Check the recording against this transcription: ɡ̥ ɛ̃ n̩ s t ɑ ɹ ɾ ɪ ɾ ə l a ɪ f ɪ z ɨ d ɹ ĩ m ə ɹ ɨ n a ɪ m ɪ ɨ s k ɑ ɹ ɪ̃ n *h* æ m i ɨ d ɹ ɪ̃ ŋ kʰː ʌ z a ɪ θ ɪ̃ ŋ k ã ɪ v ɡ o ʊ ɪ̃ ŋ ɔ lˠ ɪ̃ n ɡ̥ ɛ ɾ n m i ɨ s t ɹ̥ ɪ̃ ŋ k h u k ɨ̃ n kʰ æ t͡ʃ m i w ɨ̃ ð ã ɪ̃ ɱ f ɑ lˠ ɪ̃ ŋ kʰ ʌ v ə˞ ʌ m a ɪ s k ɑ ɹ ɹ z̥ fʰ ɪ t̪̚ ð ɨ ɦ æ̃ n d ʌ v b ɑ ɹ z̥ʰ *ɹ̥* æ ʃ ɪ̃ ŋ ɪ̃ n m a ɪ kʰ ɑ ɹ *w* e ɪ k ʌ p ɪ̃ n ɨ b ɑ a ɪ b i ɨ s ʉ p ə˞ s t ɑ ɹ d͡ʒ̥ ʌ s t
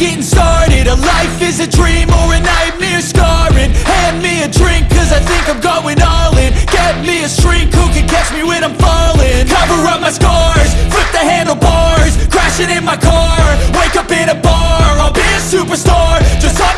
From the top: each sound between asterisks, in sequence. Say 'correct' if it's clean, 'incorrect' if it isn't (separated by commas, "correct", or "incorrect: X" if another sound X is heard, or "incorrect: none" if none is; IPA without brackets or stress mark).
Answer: correct, correct, correct